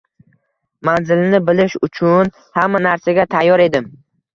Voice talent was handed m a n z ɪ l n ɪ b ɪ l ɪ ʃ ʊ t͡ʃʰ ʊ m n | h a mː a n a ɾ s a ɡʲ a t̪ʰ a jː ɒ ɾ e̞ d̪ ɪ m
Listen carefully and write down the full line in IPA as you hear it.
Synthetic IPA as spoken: m a n z ɪ l n ɪ b ɪ l ɪ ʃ ʊ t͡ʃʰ ʊ n | h a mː a n a ɾ s a ɡʲ a t̪ʰ a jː ɒ ɾ e̞ d̪ ɪ m